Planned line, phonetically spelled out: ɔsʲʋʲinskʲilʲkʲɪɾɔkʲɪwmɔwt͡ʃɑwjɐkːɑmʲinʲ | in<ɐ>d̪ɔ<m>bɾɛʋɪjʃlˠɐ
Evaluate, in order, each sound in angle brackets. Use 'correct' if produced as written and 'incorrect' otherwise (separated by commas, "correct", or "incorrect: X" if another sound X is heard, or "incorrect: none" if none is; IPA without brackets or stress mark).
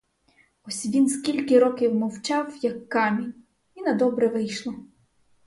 correct, incorrect: none